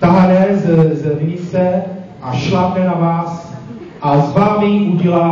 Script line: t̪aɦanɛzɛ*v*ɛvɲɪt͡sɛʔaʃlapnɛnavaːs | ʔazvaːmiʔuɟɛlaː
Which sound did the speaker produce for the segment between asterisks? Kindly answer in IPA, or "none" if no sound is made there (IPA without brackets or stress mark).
z